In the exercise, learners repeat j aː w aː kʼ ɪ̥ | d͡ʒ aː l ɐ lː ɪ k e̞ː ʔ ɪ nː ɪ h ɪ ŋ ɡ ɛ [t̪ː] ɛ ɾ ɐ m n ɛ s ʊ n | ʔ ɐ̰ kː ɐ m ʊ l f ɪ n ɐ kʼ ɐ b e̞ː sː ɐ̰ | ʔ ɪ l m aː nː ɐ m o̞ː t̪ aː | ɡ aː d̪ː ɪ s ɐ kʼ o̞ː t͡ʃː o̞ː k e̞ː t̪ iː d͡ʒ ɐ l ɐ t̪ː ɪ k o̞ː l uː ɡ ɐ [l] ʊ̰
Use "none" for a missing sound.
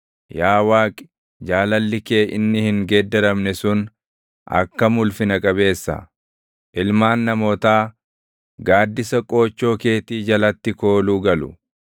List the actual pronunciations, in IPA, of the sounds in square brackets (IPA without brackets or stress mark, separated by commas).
d̪ː, l